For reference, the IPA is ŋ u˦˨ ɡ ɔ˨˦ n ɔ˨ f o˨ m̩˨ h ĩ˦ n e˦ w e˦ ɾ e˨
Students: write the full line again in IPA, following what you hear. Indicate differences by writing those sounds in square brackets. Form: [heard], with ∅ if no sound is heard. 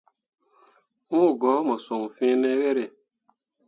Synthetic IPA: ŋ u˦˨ ɡ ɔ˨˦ [m] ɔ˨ [s] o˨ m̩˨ [f] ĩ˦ n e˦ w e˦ ɾ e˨